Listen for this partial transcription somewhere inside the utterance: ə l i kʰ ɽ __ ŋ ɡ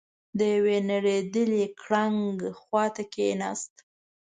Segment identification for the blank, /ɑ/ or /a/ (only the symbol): a